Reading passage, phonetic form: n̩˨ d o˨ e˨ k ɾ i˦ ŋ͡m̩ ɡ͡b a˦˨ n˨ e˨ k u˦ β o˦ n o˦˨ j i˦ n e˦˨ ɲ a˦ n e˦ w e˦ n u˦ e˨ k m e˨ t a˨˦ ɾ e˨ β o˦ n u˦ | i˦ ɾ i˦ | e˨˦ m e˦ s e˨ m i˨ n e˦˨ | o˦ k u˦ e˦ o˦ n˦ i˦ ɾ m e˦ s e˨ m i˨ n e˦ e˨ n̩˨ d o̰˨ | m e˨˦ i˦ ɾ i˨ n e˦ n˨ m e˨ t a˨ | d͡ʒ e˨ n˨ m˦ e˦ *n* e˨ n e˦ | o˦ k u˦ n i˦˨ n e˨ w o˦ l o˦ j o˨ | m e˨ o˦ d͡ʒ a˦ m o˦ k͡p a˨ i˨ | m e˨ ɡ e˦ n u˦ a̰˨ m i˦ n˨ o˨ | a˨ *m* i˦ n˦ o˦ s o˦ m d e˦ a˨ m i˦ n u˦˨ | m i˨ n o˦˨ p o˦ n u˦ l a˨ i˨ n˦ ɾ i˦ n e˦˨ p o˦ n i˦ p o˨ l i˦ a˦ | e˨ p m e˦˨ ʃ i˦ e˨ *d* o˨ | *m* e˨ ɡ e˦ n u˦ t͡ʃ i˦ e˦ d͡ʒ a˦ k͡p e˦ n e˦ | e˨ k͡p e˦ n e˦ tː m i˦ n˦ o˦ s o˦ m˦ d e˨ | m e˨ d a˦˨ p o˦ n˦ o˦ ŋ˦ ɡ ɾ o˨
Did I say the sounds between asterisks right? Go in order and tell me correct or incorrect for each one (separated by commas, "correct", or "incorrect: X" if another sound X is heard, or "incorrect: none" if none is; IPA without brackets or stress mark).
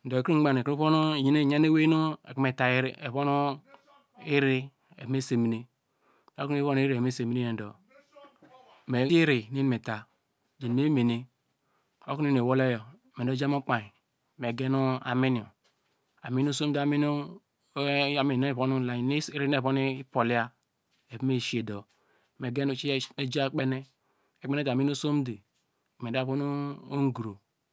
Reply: incorrect: m, correct, correct, correct